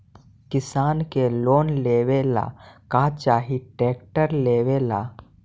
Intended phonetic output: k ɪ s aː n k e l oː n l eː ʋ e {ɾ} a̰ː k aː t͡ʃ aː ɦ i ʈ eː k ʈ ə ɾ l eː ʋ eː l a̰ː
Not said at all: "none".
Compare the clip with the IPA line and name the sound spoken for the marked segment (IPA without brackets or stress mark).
l